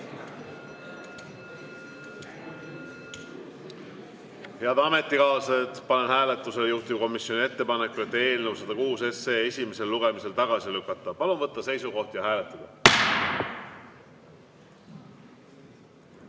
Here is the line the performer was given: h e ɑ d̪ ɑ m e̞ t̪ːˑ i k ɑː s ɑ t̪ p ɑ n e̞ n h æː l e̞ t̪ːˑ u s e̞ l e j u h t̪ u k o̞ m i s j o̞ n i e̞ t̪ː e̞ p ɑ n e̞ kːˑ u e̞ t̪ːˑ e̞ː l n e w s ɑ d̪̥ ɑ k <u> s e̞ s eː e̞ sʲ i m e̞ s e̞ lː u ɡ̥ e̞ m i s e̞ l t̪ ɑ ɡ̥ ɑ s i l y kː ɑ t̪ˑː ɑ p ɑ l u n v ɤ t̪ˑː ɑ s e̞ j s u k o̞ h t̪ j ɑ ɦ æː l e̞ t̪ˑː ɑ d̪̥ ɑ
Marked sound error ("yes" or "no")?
yes